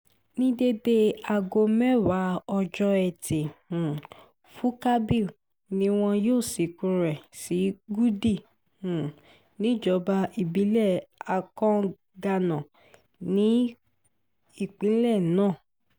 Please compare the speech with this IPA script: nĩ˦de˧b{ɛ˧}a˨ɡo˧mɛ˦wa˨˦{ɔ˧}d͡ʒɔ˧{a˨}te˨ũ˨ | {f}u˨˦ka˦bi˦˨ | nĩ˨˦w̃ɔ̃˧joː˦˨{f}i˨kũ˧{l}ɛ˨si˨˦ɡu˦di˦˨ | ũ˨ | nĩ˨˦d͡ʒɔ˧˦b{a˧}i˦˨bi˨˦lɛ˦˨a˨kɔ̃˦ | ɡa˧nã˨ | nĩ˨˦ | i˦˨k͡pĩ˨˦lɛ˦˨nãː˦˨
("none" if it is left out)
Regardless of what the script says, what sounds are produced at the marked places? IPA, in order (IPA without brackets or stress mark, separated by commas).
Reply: e˧, ɔ˧, ɛ˨, f, s, ɾ, a˧